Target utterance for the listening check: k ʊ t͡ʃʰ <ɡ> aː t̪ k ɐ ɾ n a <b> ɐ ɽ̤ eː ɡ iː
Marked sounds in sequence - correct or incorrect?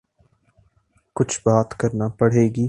incorrect: b, incorrect: p

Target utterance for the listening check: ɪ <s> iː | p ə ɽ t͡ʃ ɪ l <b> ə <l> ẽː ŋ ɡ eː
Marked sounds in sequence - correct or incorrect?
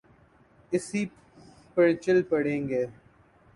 correct, incorrect: p, incorrect: ɽ

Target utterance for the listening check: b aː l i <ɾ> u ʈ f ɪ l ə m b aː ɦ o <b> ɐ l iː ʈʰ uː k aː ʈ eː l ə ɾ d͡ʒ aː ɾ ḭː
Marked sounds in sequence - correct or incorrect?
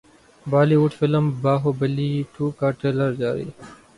incorrect: none, correct

